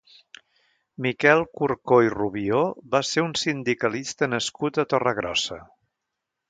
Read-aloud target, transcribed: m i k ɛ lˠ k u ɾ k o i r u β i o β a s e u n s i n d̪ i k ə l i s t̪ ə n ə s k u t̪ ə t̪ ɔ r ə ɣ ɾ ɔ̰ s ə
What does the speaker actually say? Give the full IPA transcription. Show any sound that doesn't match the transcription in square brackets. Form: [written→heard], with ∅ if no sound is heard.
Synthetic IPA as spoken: m i k ɛ lˠ k u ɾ k o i r u β i o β a s e u n s i n d̪ i k ə l i s t̪ ə n ə s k u t̪ ə t̪ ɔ r ə ɣ ɾ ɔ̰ s ə